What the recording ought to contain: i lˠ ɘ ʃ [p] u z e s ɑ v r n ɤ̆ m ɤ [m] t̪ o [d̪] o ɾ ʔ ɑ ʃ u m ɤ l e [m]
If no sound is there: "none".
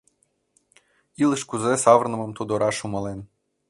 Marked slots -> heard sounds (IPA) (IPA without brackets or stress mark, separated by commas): k, m, d̪, n